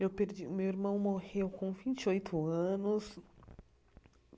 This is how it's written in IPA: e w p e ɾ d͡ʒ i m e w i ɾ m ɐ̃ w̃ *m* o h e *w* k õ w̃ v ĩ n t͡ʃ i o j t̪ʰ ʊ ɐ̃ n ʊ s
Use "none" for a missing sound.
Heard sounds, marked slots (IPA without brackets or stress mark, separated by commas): m, w